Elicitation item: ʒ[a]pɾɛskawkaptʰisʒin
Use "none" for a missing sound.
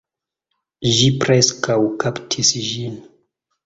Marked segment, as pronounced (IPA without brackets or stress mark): i